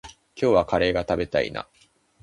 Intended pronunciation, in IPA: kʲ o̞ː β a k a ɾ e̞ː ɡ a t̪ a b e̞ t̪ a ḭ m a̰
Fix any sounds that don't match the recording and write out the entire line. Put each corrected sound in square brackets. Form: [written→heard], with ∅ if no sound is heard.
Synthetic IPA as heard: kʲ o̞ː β a k a ɾ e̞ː ɡ a t̪ a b e̞ t̪ a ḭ [m→n] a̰

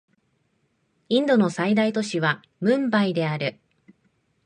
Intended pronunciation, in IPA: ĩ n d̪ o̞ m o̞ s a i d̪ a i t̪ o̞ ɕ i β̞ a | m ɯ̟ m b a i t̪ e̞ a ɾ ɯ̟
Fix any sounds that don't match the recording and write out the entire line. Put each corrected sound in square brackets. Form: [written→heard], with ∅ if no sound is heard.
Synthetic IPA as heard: ĩ n d̪ o̞ [m→n] o̞ s a i d̪ a i t̪ o̞ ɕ i β̞ a | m [ɯ̟→ɯ̟̃] m b a i [t̪→d̪] e̞ a ɾ ɯ̟

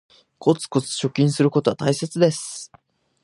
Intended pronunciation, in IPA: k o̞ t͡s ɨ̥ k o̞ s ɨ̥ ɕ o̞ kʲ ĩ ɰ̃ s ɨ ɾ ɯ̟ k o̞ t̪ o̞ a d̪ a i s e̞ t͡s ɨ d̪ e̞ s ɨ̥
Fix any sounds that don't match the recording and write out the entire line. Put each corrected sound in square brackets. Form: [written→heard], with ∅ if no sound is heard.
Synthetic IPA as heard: k o̞ t͡s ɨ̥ k o̞ [s→t͡s] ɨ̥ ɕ o̞ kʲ ĩ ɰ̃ s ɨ ɾ ɯ̟ k o̞ t̪ o̞ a [d̪→t̪] a i s e̞ t͡s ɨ d̪ e̞ s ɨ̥

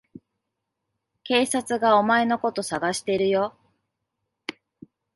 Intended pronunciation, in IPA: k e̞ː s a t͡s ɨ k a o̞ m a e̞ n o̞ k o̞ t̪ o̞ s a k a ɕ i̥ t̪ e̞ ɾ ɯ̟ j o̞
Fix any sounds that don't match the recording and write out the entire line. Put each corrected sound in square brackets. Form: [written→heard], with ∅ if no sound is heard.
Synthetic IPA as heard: k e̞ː s a t͡s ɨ [k→ɡ] a o̞ m a e̞ n o̞ k o̞ t̪ o̞ s a [k→ɡ] a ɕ i̥ t̪ e̞ ɾ ɯ̟ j o̞

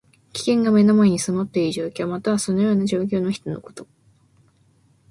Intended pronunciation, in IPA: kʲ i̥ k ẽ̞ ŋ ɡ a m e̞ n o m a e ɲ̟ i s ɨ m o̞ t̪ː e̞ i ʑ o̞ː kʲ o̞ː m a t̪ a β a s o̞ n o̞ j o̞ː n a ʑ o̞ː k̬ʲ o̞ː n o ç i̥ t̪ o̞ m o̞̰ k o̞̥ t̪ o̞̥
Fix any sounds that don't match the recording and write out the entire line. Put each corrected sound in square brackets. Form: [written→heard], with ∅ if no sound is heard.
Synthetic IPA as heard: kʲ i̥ k ẽ̞ ŋ ɡ a m e̞ n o m a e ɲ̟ i s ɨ m o̞ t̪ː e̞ i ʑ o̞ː kʲ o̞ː m a t̪ a β a s o̞ n o̞ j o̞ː n a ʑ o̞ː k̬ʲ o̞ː n o ç i̥ t̪ o̞ [m→n] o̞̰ k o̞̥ t̪ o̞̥

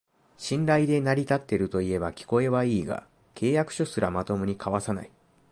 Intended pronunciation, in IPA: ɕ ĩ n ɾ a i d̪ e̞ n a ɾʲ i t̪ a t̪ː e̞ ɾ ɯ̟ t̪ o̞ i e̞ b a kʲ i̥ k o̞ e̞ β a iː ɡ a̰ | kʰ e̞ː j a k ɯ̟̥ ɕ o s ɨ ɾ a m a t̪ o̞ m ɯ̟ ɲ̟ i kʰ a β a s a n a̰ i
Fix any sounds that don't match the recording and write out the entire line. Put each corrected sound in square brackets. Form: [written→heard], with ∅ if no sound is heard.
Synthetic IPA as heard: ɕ ĩ n ɾ a i d̪ e̞ n a ɾʲ i t̪ a t̪ː e̞ ɾ ɯ̟ t̪ o̞ i e̞ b a kʲ i̥ k o̞ e̞ β a iː ɡ a̰ | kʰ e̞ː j a k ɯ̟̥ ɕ o s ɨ ɾ a m a t̪ o̞ m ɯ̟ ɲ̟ i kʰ a β a s a n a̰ i

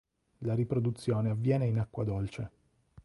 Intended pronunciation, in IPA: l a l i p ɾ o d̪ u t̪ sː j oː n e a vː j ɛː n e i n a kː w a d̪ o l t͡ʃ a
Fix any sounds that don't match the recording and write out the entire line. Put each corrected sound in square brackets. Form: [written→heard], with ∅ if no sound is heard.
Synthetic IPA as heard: l a [l→ɾ] i p ɾ o d̪ u t̪ sː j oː n e a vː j ɛː n e i n a kː w a d̪ o l t͡ʃ [a→e]

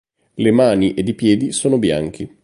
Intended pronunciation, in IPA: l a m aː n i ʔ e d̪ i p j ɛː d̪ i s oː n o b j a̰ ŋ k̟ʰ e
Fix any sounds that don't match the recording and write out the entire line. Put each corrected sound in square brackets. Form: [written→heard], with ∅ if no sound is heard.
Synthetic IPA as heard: l [a→e] m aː n i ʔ e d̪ i p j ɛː d̪ i s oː n o b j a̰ ŋ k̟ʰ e

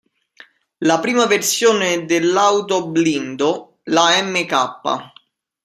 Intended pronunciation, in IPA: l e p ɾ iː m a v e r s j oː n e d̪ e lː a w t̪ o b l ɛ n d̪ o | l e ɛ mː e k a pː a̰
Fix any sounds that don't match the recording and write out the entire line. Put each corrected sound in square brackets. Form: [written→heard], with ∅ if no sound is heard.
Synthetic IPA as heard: l [e→a] p ɾ iː m a v e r s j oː n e d̪ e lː a w t̪ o b l [ɛ→i] n d̪ o | l [e→a] ɛ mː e k a pː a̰

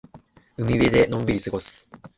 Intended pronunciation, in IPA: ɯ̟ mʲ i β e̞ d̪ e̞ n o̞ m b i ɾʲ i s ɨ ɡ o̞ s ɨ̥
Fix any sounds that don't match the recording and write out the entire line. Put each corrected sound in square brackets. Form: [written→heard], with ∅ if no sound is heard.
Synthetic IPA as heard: ɯ̟ mʲ i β e̞ d̪ e̞ n [o̞→õ̞] m b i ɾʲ i s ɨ ɡ o̞ s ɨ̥

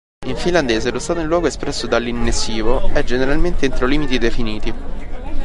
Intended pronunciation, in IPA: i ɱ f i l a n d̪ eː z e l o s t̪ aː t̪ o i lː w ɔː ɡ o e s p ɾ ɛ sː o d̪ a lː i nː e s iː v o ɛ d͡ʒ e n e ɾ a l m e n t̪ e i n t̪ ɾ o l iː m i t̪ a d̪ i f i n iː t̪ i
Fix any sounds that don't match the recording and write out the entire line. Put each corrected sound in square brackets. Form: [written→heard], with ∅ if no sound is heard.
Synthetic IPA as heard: i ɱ f i l a n d̪ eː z e l o s t̪ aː t̪ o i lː w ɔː ɡ o e s p ɾ ɛ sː o d̪ a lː i nː e s iː v o ɛ d͡ʒ e n e ɾ a l m e n t̪ e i n t̪ ɾ o l iː m i t̪ [a→i] d̪ [i→e] f i n iː t̪ i

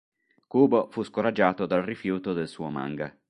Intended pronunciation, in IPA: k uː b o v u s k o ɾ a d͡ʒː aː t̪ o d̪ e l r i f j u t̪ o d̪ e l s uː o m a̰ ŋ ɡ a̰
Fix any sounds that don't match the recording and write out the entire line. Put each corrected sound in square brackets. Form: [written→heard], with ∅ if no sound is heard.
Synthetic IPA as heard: k uː b o [v→f] u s k o ɾ a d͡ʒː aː t̪ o d̪ [e→a] l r i f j [u→uː] t̪ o d̪ e l s uː o m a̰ ŋ ɡ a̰

